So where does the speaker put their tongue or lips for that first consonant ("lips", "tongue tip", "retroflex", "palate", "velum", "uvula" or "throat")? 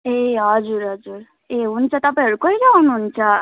throat